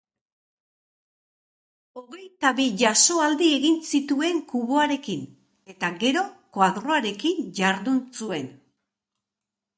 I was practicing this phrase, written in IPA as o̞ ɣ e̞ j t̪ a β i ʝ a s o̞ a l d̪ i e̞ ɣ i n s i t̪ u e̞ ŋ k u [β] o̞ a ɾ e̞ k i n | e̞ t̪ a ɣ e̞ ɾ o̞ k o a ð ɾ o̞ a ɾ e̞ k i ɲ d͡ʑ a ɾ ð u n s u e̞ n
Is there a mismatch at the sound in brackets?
no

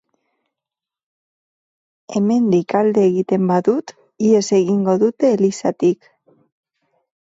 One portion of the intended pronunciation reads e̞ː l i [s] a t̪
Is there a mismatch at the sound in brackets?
no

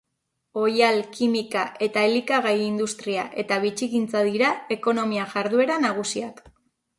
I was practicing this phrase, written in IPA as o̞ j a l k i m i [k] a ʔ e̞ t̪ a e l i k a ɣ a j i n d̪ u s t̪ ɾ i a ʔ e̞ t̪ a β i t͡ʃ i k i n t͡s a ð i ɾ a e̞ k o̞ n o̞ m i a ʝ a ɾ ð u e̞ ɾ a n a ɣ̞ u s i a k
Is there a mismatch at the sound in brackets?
no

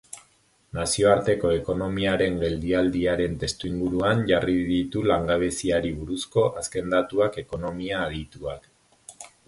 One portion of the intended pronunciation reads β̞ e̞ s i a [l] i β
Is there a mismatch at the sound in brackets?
yes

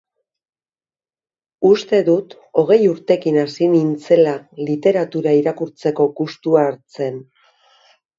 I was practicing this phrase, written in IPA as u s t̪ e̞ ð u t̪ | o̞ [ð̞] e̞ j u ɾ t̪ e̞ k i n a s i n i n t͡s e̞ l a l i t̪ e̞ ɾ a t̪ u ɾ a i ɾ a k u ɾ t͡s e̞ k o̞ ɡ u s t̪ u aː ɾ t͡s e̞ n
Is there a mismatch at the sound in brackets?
yes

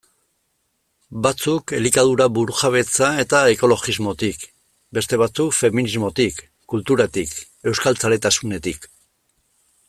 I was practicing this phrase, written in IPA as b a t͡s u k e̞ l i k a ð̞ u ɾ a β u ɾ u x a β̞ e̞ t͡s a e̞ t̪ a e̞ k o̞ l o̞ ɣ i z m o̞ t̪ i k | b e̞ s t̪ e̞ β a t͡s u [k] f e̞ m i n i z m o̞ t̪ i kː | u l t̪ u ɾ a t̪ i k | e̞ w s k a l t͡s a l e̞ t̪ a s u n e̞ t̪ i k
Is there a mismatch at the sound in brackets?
no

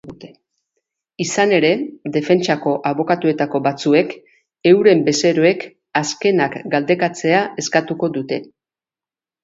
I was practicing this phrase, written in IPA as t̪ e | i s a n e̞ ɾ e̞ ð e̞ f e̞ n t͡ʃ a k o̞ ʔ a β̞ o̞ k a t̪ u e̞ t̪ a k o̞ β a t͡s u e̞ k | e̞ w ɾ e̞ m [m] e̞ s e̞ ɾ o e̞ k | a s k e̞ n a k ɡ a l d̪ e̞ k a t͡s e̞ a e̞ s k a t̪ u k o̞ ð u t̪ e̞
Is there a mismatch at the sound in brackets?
yes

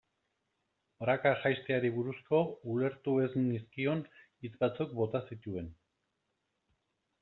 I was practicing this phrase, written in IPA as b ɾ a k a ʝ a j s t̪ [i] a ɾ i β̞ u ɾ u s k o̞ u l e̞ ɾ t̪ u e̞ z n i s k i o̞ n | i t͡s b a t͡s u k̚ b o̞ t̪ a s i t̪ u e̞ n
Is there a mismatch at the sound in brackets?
yes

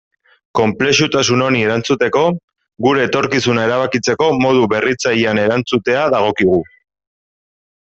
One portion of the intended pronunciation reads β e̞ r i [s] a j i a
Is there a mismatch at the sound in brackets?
yes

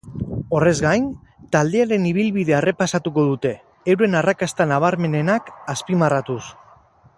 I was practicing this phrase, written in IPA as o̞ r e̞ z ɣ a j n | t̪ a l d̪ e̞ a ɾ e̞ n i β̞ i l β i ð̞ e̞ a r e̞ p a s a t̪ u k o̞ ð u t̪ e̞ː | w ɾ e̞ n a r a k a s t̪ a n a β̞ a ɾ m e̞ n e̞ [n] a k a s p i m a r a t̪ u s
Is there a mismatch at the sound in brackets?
no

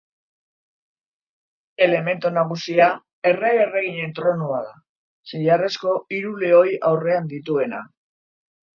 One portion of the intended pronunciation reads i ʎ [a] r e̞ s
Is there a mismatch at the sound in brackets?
no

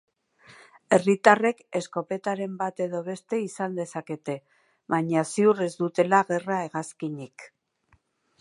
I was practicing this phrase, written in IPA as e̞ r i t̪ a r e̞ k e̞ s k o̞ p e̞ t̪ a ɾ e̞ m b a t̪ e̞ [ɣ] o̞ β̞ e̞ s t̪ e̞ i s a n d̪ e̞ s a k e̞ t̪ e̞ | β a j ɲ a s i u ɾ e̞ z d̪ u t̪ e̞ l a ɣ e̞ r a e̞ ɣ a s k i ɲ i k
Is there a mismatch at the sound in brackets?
yes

